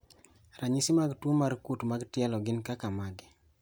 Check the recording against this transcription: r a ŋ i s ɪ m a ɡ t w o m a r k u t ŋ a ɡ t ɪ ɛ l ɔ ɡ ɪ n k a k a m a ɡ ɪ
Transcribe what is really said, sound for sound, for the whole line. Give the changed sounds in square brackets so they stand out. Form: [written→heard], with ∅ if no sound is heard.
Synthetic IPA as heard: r a [ŋ→ɲ] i s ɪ m a ɡ t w o m a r k u t [ŋ→m] a ɡ t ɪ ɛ l ɔ ɡ ɪ n k a k a m a ɡ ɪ